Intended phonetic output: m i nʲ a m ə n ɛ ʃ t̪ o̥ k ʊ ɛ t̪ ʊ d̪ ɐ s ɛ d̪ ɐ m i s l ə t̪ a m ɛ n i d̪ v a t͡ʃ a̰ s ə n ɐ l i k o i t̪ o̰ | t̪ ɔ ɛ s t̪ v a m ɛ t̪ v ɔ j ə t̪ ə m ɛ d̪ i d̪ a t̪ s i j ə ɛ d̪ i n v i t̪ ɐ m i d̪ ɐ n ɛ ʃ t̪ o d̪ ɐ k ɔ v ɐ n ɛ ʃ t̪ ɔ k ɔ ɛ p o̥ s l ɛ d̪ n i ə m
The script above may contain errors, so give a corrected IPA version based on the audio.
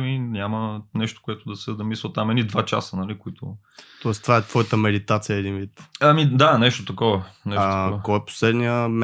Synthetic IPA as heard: m i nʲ a m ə n ɛ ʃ t̪ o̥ k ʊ ɛ t̪ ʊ d̪ ɐ s ɛ d̪ ɐ m i s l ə t̪ a m ɛ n i d̪ v a t͡ʃ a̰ s ə n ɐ l i k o i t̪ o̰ | t̪ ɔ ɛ s t̪ v a ɛ t̪ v ɔ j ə t̪ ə m ɛ d̪ i t̪ a t̪ s i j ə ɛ d̪ i n v i t̪ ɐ m i d̪ a n ɛ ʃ t̪ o t̪ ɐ k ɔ v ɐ n ɛ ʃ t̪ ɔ k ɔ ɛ p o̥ s l ɛ d̪ n i ə m